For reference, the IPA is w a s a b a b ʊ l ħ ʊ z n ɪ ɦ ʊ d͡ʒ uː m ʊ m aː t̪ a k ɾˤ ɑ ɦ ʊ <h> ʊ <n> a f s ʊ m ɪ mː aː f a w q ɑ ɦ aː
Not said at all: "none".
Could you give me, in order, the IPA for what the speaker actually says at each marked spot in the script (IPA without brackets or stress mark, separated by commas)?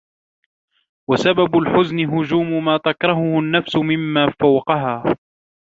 h, nː